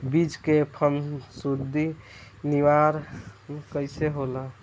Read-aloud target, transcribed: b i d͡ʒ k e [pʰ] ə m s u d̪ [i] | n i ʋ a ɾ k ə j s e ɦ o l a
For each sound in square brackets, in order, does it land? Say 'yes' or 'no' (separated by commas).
yes, yes